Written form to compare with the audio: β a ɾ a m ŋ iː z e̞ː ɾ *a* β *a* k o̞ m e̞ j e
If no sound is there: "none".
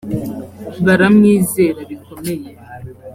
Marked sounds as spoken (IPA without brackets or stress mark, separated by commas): a, i